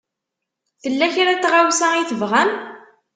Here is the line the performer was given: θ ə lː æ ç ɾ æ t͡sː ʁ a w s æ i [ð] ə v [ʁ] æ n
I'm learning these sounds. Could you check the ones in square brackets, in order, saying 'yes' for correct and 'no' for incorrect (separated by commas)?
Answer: no, yes